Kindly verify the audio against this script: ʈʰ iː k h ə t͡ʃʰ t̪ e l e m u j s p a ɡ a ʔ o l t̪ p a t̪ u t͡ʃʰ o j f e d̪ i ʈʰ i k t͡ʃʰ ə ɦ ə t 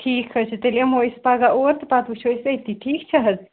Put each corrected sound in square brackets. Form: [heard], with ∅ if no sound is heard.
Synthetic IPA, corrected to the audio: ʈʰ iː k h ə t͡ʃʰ t̪ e l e m [o] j s p a ɡ a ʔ o [ɾ] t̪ p a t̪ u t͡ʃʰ o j [s] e [t̪] i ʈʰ i k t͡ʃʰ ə ɦ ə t